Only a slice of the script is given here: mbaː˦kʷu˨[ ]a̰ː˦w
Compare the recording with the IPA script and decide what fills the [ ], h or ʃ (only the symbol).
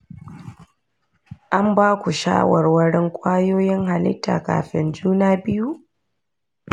ʃ